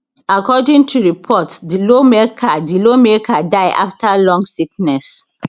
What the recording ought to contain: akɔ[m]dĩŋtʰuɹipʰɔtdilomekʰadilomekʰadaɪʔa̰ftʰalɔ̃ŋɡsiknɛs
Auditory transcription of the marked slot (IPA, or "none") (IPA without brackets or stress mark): none